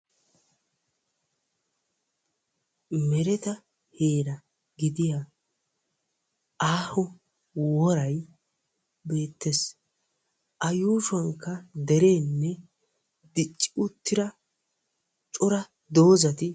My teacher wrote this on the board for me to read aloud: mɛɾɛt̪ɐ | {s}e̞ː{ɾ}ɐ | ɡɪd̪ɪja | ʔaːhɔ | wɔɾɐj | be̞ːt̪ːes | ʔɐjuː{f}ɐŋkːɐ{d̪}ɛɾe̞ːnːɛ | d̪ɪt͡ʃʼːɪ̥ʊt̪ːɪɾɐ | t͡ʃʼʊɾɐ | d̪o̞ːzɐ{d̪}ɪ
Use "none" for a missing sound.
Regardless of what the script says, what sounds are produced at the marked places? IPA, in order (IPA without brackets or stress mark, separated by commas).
h, ɾ, ʃ, d̪, t̪